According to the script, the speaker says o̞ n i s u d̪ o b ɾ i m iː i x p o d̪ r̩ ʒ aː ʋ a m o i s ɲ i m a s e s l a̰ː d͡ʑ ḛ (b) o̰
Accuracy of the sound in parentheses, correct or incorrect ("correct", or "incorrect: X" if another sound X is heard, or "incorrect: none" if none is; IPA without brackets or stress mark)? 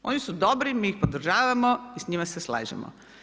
incorrect: m